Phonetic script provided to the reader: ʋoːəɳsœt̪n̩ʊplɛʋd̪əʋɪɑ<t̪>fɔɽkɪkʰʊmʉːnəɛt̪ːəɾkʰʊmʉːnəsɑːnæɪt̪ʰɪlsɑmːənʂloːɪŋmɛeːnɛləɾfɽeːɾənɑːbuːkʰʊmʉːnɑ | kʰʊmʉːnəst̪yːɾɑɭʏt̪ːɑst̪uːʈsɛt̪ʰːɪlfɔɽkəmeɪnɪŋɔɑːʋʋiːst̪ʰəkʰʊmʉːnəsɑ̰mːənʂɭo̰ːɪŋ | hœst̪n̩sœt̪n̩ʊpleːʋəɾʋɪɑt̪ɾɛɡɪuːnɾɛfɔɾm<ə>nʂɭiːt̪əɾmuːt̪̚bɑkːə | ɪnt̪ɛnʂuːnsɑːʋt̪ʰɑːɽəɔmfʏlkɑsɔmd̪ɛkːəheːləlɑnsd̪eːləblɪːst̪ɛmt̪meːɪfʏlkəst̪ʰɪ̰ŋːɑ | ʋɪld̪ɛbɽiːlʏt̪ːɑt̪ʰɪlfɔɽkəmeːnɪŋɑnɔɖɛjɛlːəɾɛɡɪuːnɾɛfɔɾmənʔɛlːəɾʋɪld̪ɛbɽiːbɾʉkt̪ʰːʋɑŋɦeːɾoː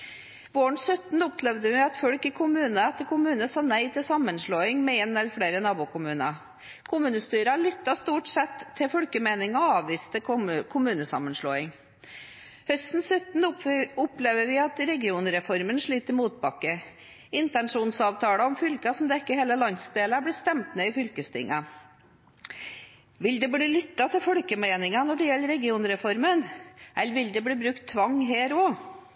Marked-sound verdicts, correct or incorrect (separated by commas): correct, correct